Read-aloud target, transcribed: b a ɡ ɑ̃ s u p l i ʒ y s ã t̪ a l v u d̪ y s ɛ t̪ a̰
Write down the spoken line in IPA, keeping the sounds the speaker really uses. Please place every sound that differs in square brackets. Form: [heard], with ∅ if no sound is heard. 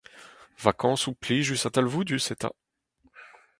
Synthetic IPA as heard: [v] a [k] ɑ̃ s u p l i ʒ y s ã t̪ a l v u d̪ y s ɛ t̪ a̰